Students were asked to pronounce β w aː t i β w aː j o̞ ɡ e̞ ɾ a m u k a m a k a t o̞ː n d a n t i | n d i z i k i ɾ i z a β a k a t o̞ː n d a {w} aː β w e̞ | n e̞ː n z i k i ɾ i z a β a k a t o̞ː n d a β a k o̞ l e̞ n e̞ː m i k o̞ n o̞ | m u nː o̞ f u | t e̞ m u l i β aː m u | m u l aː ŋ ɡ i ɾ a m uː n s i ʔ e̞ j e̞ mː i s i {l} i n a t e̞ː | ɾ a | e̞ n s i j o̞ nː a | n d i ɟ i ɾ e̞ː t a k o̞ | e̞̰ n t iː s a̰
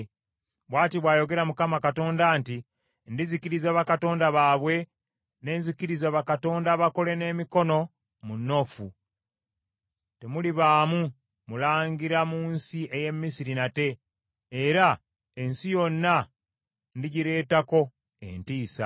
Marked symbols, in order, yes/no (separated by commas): no, no